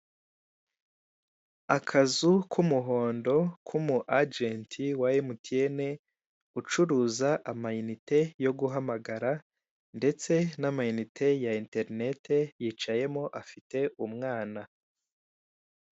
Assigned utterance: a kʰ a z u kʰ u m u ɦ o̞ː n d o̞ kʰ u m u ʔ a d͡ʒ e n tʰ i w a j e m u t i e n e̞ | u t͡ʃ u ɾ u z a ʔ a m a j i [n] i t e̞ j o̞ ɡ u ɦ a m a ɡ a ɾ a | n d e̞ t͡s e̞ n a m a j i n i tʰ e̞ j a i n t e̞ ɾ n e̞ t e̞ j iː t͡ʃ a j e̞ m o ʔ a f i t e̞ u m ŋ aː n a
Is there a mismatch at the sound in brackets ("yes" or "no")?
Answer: no